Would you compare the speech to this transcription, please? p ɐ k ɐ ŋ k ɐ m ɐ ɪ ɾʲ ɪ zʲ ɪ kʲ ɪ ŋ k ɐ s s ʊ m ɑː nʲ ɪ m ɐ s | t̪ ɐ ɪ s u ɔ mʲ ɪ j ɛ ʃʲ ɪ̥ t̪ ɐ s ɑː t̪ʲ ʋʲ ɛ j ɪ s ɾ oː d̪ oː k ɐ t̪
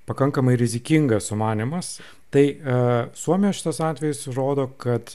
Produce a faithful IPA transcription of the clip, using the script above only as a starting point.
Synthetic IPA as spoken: p ɐ k ɐ ŋ k ɐ m ɐ ɪ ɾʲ ɪ zʲ ɪ kʲ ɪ ŋ ɡ ɐ s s ʊ m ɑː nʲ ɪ m ɐ s | t̪ ɐ ɪ s u ɔ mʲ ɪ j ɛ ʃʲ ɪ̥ t̪ ɐ s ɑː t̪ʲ ʋʲ ɛ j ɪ s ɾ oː d̪ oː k ɐ t̪